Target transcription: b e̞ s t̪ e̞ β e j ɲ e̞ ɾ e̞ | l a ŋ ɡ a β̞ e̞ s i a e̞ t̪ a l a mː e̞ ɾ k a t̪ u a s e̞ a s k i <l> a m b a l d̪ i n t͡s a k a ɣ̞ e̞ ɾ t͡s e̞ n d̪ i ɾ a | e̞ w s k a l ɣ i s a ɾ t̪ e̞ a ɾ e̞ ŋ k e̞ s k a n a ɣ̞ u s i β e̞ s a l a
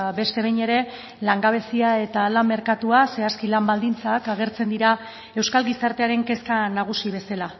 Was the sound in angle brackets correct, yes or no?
yes